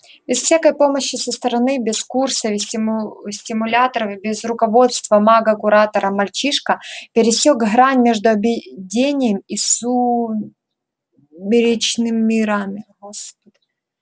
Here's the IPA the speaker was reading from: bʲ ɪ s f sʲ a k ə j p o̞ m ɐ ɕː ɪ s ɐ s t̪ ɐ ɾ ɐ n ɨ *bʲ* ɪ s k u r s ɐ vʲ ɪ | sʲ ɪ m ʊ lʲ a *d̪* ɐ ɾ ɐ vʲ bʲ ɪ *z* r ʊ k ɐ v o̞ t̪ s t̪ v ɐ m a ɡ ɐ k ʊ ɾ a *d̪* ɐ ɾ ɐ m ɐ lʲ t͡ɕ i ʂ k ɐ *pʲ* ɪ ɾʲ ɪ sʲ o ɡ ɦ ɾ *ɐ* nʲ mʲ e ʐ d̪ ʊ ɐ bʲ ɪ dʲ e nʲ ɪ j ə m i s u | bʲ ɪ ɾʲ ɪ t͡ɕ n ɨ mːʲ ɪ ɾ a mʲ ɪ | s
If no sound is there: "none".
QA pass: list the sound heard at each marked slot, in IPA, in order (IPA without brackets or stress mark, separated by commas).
bʲ, t̪, z, t̪, pʲ, a